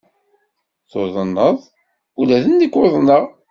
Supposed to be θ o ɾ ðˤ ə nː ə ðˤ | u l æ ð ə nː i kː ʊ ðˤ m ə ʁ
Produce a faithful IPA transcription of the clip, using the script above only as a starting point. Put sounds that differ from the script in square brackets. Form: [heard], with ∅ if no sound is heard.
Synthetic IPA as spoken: θ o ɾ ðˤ ə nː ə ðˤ | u l æ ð ə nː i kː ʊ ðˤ [n] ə ʁ